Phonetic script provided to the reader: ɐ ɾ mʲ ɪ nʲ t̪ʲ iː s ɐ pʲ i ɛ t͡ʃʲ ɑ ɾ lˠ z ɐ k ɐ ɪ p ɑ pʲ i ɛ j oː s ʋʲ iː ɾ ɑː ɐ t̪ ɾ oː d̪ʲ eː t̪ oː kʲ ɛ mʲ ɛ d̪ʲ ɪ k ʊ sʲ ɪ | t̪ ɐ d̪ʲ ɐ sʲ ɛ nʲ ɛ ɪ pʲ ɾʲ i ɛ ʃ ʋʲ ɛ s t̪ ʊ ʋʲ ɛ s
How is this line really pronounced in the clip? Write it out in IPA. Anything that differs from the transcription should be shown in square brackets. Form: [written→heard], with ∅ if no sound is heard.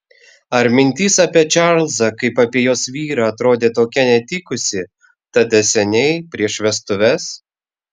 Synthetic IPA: ɐ ɾ mʲ ɪ nʲ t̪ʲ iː s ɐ pʲ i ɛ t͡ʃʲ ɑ ɾ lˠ z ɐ k ɐ ɪ p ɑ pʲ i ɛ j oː s ʋʲ iː ɾ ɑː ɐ t̪ ɾ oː d̪ʲ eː t̪ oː kʲ ɛ [mʲ→nʲ] ɛ [d̪ʲ→t̪ʲ] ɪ k ʊ sʲ ɪ | t̪ ɐ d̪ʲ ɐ sʲ ɛ nʲ ɛ ɪ pʲ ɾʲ i ɛ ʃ ʋʲ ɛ s t̪ ʊ ʋʲ ɛ s